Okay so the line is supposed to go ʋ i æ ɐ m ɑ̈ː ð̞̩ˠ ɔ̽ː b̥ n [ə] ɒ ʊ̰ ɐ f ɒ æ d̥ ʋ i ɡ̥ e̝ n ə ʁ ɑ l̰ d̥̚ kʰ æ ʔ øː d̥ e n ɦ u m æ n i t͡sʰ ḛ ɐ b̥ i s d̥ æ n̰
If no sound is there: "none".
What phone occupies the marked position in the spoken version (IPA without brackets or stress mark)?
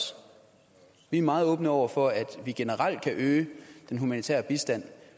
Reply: ə